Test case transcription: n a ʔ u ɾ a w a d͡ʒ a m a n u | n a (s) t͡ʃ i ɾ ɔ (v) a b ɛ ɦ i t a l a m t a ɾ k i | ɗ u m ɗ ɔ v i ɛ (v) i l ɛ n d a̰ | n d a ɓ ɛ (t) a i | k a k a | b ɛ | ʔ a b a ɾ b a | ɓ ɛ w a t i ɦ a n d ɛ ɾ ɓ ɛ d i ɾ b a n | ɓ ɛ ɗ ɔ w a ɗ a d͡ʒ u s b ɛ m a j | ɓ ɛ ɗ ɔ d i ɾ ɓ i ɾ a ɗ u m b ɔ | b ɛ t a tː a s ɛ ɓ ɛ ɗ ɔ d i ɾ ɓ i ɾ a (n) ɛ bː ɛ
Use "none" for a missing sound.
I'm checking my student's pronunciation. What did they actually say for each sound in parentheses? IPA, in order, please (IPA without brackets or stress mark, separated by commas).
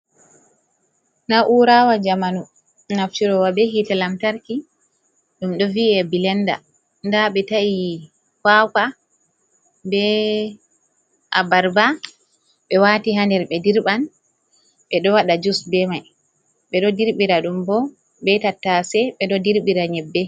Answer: f, w, b, t, ɲ